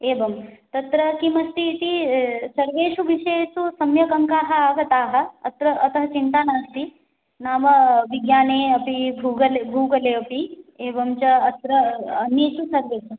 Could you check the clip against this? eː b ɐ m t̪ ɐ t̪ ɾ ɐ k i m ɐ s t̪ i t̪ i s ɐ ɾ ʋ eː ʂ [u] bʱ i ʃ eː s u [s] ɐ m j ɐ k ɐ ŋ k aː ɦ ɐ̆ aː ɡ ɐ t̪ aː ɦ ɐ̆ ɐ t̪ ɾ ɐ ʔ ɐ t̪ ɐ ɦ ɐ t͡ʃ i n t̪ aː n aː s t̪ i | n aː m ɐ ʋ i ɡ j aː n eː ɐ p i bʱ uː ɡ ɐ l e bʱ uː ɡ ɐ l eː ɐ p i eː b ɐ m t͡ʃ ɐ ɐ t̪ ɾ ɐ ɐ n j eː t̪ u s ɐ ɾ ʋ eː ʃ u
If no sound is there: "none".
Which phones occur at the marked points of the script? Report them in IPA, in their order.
u, s

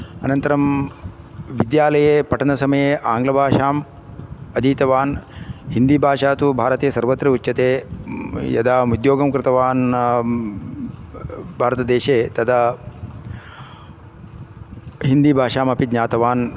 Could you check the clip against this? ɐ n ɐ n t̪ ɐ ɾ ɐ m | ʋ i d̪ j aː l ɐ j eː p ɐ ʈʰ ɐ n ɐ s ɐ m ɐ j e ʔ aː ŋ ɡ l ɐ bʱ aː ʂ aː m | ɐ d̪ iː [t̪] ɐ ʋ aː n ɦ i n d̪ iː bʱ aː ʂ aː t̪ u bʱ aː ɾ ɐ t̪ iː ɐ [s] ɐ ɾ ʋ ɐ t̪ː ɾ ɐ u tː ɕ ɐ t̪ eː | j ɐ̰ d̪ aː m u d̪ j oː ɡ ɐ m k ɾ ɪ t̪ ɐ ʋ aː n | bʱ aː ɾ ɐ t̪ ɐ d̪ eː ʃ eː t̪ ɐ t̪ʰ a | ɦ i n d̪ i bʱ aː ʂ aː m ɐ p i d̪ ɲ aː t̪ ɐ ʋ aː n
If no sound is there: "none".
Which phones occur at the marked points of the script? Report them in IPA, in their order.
t̪, s

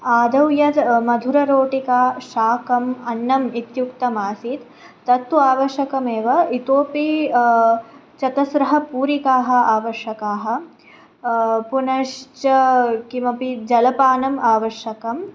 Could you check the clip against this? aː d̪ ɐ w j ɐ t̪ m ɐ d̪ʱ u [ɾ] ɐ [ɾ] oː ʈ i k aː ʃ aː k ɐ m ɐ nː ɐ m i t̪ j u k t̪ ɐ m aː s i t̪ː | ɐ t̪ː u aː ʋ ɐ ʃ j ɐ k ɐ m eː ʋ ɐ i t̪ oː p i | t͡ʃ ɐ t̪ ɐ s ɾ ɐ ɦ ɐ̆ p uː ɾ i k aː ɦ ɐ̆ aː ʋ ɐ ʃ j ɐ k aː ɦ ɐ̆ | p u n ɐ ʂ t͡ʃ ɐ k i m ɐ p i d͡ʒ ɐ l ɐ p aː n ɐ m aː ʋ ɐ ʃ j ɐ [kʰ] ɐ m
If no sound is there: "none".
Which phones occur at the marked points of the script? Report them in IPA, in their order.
ɾ, ɾ, k

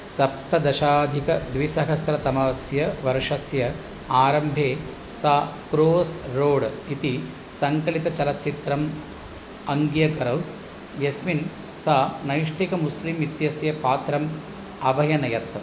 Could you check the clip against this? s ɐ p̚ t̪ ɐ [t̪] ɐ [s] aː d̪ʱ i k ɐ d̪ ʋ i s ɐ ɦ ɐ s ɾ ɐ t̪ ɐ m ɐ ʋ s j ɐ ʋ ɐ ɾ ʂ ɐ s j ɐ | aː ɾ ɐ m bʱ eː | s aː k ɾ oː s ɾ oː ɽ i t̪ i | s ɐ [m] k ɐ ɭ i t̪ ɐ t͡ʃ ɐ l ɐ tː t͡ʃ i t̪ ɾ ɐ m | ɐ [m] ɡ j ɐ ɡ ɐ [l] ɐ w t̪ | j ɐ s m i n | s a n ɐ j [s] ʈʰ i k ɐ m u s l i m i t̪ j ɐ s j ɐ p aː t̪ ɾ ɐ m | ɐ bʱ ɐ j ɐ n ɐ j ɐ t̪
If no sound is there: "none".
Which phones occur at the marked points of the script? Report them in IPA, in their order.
d̪, ʃ, ŋ, ŋ, ɾ, ʂ

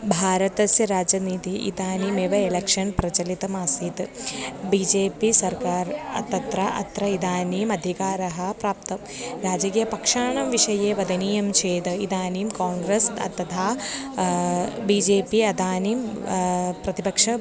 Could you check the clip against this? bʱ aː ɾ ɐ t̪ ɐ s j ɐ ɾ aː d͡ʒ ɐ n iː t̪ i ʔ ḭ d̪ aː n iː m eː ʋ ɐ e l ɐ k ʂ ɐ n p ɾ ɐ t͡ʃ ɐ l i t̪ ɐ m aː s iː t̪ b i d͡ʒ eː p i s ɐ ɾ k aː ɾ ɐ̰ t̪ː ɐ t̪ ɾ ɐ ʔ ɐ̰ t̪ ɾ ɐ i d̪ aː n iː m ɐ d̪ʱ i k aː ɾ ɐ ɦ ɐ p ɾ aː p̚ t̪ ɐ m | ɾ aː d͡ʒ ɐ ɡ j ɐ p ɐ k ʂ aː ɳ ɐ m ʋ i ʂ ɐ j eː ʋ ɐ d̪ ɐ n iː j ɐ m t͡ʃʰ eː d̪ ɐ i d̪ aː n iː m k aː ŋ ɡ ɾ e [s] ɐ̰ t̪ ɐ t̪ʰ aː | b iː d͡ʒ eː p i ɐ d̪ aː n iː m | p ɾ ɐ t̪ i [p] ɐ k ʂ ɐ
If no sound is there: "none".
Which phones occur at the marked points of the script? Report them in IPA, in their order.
s, p

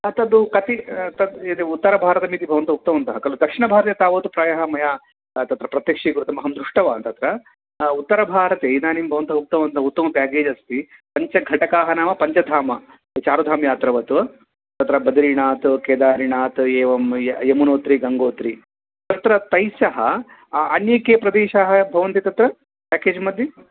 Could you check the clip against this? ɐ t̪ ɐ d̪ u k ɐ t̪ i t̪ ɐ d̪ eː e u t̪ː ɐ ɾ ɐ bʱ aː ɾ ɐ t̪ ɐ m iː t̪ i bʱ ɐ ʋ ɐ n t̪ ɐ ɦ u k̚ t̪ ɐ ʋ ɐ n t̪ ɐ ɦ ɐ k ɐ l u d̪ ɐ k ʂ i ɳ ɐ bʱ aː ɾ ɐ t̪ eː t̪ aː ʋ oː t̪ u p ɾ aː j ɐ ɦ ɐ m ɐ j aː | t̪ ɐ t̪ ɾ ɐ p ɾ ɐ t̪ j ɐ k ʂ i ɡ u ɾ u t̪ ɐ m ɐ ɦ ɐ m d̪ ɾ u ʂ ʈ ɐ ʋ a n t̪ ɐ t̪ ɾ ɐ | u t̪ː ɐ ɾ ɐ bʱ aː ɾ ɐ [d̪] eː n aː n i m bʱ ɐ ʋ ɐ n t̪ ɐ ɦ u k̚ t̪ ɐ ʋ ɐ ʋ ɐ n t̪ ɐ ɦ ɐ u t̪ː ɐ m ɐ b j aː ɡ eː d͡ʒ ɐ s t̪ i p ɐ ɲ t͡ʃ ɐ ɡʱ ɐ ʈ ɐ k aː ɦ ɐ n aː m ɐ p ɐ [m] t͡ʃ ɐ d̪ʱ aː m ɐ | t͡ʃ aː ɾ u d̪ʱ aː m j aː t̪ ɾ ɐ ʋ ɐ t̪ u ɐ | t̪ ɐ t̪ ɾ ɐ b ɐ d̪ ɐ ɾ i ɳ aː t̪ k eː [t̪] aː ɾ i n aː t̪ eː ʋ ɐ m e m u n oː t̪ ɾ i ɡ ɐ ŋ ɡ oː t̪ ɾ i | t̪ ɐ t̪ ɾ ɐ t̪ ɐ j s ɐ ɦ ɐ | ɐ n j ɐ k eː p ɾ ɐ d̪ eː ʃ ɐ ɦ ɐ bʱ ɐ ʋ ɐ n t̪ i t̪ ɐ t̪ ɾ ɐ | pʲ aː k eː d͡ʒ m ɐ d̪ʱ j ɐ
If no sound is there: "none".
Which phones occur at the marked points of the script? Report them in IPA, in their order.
t̪, ɲ, d̪

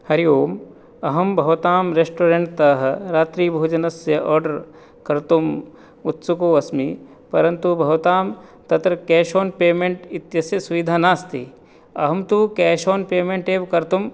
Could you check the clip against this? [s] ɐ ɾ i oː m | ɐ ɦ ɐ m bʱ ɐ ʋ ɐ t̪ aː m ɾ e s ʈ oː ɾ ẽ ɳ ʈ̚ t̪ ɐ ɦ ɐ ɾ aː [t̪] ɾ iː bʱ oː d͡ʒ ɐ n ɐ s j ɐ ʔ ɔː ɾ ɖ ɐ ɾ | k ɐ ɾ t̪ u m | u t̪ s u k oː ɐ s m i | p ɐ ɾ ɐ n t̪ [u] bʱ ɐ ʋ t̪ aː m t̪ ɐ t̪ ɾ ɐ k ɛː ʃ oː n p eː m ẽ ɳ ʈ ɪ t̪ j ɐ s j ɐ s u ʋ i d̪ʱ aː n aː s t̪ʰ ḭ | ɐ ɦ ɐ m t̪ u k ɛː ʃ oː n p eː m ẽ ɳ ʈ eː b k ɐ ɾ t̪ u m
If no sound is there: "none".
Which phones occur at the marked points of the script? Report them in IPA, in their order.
h, t̪, u

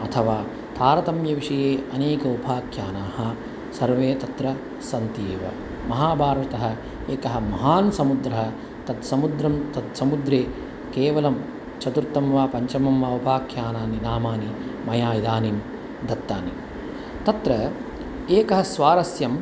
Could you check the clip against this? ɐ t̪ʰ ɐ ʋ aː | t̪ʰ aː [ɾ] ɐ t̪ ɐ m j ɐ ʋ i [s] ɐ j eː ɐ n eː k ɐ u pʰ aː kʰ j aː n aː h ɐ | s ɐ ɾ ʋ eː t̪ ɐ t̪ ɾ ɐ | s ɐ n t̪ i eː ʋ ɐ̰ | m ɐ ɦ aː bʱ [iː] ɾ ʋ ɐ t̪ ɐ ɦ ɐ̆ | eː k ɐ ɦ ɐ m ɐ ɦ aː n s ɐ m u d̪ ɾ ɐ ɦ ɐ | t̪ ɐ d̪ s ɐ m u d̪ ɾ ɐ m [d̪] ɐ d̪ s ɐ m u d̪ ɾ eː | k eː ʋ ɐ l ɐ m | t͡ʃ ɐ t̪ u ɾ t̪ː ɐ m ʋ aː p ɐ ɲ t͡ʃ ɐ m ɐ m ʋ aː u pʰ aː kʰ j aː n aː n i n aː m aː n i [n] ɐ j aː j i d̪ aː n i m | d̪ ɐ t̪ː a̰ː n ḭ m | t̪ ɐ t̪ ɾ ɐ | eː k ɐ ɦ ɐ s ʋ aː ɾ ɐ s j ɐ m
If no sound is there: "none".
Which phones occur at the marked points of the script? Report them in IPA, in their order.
ɾ, ʂ, aː, t̪, m

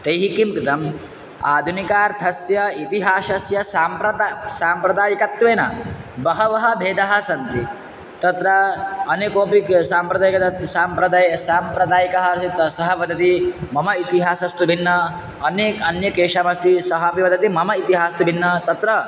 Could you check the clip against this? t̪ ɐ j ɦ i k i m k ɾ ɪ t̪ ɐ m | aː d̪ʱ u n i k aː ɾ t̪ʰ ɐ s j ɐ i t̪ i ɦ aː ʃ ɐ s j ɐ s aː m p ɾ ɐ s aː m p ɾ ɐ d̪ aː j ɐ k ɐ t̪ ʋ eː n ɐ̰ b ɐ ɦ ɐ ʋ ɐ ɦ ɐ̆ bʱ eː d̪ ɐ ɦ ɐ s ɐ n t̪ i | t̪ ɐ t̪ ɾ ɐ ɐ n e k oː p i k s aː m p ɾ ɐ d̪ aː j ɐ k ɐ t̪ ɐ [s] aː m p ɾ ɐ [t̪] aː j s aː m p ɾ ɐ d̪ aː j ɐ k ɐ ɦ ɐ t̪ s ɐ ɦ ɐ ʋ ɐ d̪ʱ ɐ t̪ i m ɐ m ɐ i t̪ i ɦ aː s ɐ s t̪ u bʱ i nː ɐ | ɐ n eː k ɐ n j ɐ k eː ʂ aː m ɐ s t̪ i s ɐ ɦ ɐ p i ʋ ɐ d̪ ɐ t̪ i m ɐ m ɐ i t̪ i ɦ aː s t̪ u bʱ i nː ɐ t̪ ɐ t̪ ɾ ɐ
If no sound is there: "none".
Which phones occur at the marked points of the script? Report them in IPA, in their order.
s, d̪

